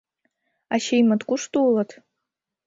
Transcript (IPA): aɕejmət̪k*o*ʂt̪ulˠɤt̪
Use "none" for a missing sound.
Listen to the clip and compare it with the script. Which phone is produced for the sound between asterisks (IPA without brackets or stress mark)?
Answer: u